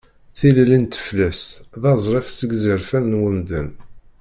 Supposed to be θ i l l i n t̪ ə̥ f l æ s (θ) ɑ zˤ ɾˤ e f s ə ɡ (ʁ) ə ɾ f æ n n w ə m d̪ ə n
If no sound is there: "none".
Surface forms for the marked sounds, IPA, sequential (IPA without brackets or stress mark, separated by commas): ð, z